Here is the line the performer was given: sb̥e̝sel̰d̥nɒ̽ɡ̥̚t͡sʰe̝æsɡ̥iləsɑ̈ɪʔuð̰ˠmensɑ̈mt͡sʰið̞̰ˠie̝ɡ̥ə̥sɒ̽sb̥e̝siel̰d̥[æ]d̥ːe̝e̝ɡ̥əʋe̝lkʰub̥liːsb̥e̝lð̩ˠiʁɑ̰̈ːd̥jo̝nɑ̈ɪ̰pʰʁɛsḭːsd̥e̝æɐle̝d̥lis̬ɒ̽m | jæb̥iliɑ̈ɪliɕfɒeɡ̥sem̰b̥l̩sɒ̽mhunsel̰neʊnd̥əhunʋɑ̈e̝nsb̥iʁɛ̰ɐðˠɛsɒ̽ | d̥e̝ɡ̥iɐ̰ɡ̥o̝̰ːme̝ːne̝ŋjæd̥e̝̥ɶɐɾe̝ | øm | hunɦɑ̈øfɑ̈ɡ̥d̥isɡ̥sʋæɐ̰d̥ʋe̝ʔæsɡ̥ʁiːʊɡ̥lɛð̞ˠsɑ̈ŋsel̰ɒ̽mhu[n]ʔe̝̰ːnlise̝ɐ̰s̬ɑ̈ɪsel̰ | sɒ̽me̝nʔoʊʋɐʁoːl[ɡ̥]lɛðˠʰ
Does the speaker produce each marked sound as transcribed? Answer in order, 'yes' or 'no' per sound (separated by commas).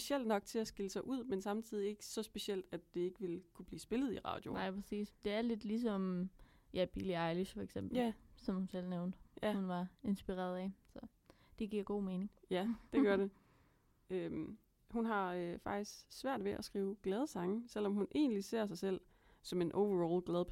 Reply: yes, yes, yes